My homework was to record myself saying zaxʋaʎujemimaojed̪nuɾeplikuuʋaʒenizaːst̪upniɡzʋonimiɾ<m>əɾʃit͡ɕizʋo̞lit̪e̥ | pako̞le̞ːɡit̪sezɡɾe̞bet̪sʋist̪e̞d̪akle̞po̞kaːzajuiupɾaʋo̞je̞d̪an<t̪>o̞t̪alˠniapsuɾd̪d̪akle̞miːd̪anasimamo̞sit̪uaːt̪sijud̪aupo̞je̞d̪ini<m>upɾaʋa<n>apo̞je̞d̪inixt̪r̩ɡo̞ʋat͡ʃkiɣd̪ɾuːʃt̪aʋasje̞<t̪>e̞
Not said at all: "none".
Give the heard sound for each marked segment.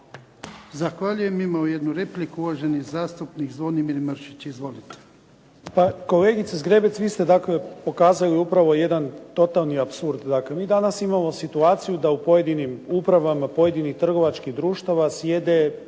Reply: m, t̪, m, m, d̪

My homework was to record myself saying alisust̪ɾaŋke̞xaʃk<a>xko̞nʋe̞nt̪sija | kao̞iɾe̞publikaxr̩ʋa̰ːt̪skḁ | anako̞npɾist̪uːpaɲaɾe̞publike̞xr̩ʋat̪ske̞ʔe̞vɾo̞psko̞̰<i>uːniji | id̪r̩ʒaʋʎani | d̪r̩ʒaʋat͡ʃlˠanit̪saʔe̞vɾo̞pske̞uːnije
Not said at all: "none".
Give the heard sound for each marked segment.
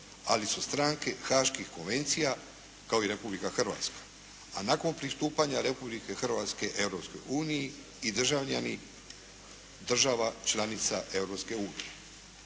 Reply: i, j

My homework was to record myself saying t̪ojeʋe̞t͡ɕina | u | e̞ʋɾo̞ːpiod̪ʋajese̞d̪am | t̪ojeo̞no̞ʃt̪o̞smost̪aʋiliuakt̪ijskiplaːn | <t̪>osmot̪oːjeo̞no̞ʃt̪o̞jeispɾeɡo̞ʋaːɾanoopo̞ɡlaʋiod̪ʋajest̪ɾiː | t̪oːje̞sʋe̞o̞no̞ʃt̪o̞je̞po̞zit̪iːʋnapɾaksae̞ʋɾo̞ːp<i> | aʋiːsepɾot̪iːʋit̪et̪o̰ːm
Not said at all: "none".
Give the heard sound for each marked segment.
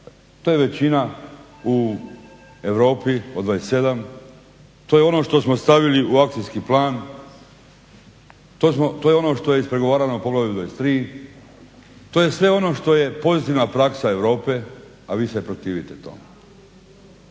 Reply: t̪, e

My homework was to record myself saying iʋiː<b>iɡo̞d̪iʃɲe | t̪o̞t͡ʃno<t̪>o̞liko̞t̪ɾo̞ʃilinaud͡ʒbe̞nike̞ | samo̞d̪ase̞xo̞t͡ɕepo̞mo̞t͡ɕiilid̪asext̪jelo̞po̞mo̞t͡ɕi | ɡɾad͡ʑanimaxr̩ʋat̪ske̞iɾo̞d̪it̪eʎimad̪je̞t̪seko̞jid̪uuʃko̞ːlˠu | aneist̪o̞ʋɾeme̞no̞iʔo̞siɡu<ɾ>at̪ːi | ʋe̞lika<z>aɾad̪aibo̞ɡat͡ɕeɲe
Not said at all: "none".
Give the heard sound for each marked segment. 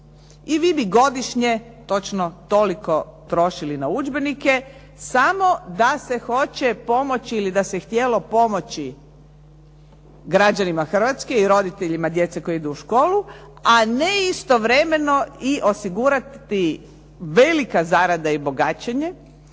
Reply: b, t̪, ɾ, z

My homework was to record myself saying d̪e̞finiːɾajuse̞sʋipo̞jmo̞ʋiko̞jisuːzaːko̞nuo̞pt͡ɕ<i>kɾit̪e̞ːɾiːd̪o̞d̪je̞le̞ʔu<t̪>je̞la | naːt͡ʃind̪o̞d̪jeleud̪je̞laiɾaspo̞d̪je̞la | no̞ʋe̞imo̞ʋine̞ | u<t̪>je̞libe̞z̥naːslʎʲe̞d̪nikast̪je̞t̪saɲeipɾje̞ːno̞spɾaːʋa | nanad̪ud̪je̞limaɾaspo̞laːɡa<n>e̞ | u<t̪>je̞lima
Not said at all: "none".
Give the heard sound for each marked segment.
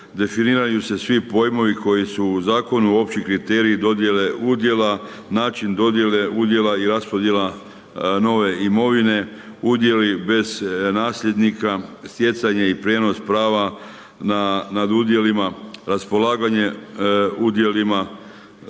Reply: i, d̪, d̪, ɲ, d̪

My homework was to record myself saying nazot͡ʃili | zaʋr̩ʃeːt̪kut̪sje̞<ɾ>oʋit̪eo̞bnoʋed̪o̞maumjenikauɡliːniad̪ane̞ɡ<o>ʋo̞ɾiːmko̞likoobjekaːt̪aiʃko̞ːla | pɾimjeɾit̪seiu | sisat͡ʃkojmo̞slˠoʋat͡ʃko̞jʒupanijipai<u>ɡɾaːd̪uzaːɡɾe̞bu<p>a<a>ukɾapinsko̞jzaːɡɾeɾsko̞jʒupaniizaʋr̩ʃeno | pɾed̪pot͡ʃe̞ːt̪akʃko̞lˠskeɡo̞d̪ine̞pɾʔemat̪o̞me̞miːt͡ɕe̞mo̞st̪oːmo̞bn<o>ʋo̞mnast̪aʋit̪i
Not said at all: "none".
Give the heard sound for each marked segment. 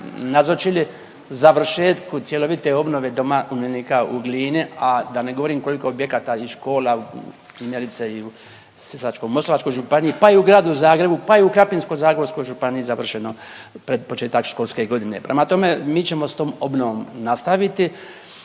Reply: l, o, u, p, i, o

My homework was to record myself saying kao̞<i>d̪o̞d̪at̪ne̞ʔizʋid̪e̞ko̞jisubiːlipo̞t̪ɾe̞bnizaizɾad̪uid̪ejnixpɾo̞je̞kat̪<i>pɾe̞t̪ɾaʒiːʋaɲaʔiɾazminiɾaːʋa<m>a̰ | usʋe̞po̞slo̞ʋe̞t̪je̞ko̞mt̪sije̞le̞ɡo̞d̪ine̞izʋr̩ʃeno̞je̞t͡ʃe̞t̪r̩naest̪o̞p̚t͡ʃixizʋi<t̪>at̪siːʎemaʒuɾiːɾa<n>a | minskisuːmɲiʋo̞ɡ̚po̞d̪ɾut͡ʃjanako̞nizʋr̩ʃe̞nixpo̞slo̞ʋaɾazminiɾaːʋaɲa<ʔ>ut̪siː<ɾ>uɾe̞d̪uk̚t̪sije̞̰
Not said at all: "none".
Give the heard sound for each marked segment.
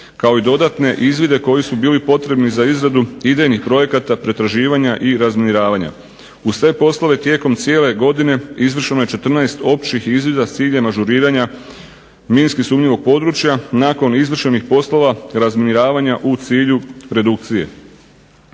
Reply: i, a, ɲ, d̪, ɲ, ʔ, ʎ

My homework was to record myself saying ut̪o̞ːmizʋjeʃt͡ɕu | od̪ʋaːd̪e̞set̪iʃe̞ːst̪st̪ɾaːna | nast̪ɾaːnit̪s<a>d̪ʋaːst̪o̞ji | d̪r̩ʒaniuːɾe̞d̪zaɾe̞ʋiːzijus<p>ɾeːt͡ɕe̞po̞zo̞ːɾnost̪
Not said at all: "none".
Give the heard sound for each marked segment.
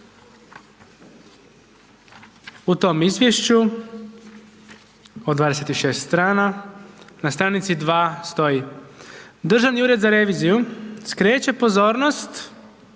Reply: i, k

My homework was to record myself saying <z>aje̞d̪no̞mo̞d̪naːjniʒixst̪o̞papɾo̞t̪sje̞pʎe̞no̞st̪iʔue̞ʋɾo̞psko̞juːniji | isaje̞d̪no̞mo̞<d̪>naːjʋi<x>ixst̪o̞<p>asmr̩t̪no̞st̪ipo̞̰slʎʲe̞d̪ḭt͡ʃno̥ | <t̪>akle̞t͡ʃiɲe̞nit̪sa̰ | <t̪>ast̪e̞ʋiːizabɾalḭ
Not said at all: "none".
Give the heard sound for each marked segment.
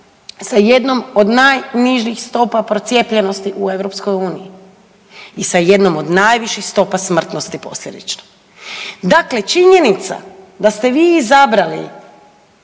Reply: s, d̪, ʃ, p, d̪, d̪

